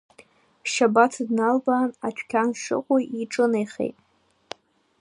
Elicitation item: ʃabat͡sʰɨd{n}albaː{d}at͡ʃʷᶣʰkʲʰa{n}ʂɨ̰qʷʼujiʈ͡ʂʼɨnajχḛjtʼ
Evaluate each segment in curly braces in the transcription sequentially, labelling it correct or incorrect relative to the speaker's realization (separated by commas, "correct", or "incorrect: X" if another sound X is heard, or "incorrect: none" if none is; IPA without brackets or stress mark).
correct, incorrect: n, correct